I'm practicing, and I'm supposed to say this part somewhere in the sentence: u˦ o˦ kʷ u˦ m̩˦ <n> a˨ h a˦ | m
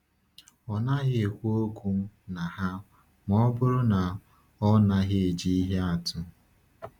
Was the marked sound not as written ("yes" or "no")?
no